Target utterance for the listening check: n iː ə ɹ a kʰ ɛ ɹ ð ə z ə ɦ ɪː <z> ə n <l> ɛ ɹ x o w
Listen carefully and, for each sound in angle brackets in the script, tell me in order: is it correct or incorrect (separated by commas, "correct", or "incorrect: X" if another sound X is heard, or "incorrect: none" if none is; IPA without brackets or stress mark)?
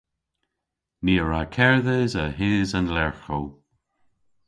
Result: correct, correct